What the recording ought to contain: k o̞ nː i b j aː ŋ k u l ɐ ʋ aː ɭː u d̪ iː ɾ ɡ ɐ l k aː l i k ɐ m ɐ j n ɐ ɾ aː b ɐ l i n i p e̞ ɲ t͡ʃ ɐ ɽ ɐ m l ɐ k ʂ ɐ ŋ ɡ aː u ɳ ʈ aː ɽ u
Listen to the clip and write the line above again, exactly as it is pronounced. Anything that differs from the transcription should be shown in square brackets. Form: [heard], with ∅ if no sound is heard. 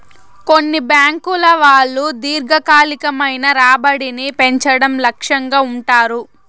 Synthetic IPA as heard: k o̞ nː i b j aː ŋ k u l ɐ ʋ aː ɭː u d̪ iː ɾ ɡ ɐ [∅] k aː l i k ɐ m ɐ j n ɐ ɾ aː b ɐ [ɽ] i n i p e̞ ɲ t͡ʃ ɐ ɽ ɐ m l ɐ k ʂ ɐ ŋ ɡ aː u ɳ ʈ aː [ɾ] u